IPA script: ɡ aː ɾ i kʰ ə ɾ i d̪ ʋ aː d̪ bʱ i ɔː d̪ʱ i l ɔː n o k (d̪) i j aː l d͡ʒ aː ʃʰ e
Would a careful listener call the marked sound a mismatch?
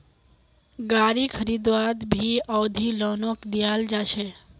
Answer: no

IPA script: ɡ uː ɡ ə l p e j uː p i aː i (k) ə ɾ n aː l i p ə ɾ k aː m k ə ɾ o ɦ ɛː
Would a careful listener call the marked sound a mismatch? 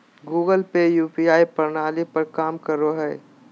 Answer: yes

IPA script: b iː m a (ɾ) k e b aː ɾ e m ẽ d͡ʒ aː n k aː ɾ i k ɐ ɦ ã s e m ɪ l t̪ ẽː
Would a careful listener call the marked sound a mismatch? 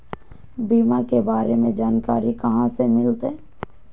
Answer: yes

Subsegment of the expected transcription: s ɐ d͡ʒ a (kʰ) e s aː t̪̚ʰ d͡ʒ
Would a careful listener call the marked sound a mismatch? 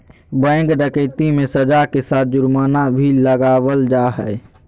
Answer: yes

